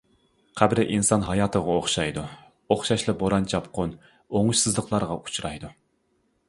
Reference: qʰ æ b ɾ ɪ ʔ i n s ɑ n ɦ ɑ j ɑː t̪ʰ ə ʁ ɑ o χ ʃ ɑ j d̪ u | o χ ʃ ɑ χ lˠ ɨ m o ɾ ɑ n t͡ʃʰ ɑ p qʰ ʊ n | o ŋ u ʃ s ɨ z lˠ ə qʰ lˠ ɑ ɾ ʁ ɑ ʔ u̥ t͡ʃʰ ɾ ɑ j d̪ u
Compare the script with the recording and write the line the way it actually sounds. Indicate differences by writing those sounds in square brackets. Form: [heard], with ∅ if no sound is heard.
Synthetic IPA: qʰ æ b ɾ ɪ ʔ i n s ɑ n ɦ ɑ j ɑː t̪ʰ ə ʁ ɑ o χ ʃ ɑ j d̪ u | o χ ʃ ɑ [ʃ] lˠ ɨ [b] o ɾ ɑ n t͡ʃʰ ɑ p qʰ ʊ n | o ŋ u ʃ s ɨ z lˠ ə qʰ lˠ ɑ ɾ ʁ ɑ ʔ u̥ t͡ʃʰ ɾ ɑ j d̪ u